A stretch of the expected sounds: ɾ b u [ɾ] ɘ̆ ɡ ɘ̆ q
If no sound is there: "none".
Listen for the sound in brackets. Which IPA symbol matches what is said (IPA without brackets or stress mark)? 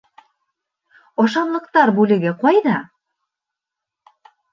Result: l